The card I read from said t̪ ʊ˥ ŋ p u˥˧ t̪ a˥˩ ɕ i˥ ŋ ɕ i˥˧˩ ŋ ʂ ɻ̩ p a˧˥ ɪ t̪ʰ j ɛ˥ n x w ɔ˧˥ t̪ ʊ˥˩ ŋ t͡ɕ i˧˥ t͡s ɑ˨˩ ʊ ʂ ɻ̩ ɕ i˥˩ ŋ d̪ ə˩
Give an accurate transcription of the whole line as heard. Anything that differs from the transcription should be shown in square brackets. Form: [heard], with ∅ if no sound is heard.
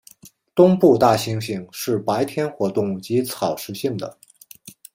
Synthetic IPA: t̪ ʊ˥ ŋ p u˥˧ t̪ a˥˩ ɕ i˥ ŋ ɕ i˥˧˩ ŋ ʂ ɻ̩ p a˧˥ ɪ t̪ʰ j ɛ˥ n x w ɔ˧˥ t̪ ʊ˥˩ ŋ t͡ɕ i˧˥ [t͡sʰ] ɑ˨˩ ʊ ʂ ɻ̩ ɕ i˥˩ ŋ d̪ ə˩